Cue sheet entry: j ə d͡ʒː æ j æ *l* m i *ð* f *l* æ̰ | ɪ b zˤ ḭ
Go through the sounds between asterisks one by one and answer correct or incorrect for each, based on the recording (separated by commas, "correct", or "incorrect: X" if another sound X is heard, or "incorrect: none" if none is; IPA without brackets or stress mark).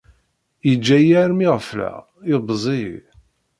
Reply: incorrect: ɾ, incorrect: ʁ, correct